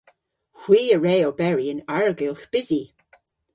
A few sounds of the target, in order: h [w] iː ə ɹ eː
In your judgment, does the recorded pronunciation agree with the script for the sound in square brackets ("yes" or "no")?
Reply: yes